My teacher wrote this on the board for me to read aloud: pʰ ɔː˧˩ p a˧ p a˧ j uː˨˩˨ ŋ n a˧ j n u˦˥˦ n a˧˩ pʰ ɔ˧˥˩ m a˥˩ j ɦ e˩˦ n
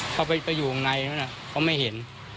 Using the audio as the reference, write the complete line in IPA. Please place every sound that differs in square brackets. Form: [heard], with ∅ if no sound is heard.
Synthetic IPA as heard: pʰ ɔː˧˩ p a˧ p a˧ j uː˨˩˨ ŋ n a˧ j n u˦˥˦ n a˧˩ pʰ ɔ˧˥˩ m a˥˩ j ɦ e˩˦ n